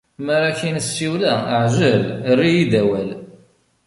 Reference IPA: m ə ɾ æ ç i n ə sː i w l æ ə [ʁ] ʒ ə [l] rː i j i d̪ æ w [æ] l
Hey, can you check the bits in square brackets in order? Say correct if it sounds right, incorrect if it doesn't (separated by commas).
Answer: incorrect, correct, correct